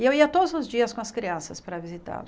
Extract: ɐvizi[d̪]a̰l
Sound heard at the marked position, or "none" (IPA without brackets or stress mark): t̪